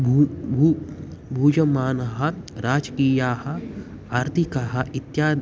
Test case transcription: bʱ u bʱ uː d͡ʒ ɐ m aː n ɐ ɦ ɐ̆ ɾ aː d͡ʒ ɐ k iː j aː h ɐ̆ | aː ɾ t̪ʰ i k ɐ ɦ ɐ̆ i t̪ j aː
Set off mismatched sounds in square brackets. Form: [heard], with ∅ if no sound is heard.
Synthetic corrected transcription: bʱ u bʱ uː d͡ʒ ɐ m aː n ɐ ɦ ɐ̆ ɾ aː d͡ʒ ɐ k iː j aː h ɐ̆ | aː ɾ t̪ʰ i k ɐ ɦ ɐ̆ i t̪ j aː